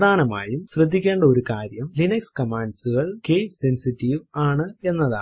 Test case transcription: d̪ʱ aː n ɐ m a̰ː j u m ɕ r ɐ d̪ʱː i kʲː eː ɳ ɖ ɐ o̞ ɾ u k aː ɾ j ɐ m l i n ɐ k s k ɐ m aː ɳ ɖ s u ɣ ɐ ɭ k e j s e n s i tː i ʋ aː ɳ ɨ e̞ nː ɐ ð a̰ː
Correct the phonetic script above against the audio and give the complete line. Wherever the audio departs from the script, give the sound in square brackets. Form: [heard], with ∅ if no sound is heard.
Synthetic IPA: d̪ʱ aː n ɐ m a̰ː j u m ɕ r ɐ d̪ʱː i kʲː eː ɳ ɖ ɐ o̞ ɾ u k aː ɾ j ɐ m l i n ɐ k s k ɐ m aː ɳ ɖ s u ɣ ɐ ɭ k e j s e n s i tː i ʋ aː ɳ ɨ e̞ nː ɐ ð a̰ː